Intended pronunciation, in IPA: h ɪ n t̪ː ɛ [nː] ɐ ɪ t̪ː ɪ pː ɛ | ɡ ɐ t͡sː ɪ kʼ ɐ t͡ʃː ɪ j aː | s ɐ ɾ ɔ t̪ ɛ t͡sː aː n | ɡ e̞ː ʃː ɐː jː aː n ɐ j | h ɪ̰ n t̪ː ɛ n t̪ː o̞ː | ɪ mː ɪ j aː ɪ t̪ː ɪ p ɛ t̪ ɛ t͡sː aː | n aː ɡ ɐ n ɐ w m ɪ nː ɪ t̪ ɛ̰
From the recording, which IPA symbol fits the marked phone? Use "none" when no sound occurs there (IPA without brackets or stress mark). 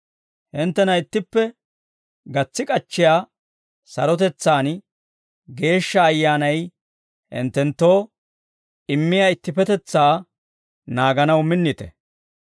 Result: n